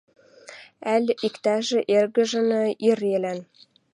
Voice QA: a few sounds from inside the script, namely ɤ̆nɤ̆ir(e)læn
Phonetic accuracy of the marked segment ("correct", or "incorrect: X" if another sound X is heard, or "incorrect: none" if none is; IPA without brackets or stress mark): correct